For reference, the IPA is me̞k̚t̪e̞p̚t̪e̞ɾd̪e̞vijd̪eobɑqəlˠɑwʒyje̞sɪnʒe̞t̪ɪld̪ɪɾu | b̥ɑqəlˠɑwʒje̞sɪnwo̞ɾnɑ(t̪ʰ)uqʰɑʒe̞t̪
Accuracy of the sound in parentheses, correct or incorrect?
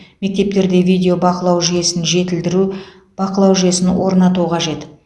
incorrect